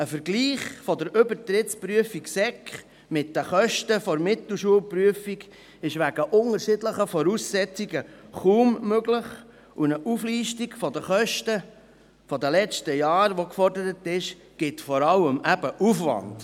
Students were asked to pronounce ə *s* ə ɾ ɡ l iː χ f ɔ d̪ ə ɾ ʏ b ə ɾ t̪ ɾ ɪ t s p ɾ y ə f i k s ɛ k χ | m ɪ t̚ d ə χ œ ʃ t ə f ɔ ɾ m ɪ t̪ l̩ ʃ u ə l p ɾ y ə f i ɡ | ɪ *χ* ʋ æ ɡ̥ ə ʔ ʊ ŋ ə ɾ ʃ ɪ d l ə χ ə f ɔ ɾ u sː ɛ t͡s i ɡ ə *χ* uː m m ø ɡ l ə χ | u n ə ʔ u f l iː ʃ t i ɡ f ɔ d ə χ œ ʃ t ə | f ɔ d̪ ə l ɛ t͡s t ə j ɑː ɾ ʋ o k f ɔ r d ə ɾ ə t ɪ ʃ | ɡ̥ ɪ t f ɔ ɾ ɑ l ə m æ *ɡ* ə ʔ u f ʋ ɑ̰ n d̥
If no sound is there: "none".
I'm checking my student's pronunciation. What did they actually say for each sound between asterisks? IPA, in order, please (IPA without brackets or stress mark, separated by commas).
f, ʃ, χ, b